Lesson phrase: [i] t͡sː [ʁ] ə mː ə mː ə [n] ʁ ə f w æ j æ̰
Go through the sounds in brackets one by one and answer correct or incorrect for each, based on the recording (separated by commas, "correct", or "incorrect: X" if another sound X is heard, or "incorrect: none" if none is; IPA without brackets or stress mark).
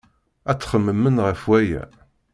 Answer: incorrect: æ, incorrect: χ, correct